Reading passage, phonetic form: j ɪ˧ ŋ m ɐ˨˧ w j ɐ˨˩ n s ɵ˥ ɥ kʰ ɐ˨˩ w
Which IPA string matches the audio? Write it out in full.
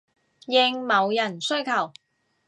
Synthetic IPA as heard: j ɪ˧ ŋ m ɐ˨˧ w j ɐ˨˩ n s ɵ˥ ɥ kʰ ɐ˨˩ w